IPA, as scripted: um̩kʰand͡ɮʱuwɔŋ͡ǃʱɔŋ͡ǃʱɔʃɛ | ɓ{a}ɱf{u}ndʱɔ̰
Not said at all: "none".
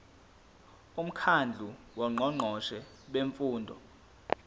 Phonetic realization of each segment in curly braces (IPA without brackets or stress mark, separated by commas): e, uː